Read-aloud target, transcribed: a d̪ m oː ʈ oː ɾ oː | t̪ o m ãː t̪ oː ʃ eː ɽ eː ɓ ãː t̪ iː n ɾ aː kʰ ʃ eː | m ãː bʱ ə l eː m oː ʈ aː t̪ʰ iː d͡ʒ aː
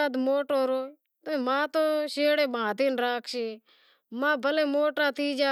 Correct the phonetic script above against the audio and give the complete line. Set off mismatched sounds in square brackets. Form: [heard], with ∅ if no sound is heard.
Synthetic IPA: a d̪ m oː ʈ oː ɾ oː | t̪ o m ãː t̪ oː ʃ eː ɽ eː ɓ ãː t̪ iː n ɾ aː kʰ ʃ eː | m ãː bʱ ə l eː m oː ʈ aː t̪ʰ iː d͡ʒ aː